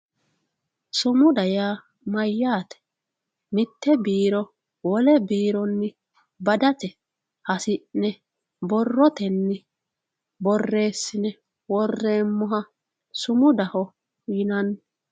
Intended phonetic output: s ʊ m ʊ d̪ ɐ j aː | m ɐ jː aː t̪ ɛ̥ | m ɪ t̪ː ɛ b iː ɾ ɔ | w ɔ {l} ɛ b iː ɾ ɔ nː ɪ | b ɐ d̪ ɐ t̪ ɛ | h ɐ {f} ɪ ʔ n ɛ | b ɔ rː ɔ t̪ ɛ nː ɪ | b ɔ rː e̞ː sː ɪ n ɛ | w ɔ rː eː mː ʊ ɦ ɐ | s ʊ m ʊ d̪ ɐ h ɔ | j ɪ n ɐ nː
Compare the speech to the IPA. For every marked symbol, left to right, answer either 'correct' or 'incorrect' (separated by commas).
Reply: correct, incorrect